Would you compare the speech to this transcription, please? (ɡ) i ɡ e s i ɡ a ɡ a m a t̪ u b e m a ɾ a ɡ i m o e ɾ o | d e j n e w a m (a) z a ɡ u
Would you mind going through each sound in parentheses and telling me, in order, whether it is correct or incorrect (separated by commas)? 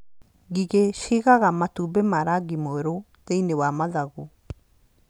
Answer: correct, correct